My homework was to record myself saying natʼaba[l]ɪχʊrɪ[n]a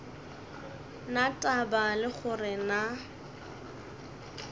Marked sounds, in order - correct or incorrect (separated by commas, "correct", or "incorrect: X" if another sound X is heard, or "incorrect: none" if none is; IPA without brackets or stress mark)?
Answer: correct, correct